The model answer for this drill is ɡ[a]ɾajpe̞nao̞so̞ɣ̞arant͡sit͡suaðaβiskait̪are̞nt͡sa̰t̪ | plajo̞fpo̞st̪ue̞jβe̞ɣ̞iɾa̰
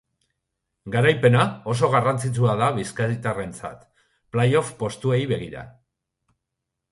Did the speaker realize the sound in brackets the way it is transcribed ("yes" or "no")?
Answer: yes